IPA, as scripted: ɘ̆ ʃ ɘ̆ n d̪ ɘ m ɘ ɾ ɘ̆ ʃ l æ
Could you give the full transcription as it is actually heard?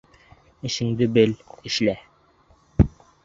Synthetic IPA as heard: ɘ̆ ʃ ɘ̆ ŋ d̪ ɘ b ɘ l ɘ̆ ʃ l æ